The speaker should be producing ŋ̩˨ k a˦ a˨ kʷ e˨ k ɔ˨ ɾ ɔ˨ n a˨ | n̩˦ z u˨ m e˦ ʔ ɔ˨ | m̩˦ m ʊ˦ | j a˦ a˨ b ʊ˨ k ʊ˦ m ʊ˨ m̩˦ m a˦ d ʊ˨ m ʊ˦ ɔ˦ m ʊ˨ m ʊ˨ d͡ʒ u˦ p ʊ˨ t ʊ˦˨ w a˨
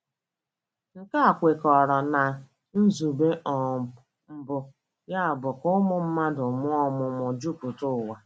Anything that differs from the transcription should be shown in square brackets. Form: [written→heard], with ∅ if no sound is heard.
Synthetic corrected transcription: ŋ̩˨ k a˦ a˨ kʷ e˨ k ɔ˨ ɾ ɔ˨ n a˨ | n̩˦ z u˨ [m→b] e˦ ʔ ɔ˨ | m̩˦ [m→b] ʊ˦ | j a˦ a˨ b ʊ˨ k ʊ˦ m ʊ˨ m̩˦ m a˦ d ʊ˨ m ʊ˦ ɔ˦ m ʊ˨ m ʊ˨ d͡ʒ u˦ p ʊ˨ t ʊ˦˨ w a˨